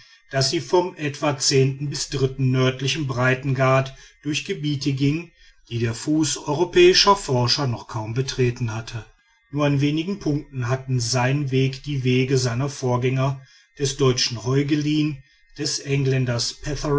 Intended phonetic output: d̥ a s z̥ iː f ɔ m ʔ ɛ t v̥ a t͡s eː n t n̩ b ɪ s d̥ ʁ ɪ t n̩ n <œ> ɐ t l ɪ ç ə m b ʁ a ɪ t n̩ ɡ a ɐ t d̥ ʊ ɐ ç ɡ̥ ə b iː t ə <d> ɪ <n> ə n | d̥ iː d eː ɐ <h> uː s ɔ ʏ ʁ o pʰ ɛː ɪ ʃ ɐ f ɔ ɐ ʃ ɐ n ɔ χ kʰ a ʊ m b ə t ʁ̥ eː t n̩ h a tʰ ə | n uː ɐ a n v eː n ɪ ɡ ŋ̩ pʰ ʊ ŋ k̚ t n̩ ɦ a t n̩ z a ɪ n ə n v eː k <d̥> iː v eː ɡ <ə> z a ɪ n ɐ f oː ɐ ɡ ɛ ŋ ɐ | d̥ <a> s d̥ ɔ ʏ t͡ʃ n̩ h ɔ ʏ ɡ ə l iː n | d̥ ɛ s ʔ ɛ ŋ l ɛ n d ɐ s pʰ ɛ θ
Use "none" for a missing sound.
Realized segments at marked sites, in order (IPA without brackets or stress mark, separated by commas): œ, ɡ, ŋ, f, d̥, ə, ɛ